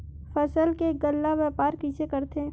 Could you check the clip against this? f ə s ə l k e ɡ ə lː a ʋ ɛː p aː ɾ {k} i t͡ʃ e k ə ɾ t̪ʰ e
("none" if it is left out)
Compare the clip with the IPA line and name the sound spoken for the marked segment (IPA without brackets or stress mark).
k